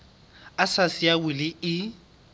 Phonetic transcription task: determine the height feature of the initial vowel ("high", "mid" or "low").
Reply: low